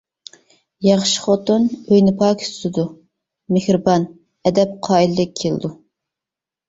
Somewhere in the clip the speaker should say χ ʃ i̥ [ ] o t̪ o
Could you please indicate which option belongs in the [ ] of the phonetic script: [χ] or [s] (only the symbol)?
χ